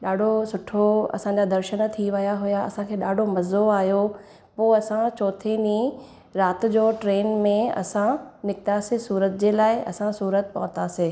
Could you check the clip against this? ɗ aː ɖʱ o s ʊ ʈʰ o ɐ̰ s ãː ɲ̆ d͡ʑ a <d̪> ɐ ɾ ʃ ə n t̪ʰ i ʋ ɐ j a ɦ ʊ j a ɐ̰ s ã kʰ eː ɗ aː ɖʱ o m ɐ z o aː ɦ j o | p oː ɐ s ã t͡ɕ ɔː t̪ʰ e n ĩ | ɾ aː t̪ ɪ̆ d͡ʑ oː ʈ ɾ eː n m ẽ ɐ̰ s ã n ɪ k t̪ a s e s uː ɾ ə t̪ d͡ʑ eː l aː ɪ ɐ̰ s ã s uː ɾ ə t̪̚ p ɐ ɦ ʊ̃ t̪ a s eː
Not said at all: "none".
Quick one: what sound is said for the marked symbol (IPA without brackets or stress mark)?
d̪